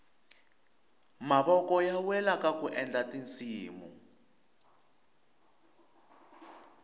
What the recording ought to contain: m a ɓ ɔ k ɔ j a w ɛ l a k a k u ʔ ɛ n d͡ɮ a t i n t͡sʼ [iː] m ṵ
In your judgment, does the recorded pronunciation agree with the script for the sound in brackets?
yes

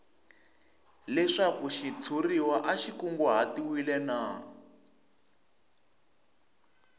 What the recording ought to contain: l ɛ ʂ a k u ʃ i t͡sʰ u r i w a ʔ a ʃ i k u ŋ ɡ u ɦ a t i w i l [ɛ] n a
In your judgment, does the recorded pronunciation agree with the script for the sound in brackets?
yes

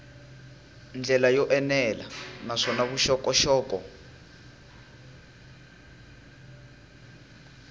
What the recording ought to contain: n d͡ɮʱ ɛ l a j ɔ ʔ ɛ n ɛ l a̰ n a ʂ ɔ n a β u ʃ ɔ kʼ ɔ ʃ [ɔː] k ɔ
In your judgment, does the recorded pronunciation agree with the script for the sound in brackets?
yes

